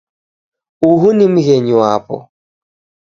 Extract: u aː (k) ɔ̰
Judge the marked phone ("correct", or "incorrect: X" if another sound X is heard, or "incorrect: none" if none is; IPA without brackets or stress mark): incorrect: p